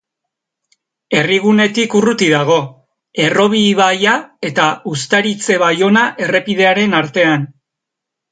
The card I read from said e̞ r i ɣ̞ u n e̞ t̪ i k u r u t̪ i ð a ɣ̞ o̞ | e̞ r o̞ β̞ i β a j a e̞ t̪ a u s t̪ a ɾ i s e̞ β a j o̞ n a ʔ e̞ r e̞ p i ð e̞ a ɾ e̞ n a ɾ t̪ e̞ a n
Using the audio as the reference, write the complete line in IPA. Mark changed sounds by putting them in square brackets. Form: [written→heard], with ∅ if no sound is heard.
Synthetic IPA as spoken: e̞ r i ɣ̞ u n e̞ t̪ i k u r u t̪ i ð a ɣ̞ o̞ | e̞ r o̞ β̞ i β a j a e̞ t̪ a u s t̪ a ɾ i [s→t͡s] e̞ β a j o̞ n a ʔ e̞ r e̞ p i ð e̞ a ɾ e̞ n a ɾ t̪ e̞ a n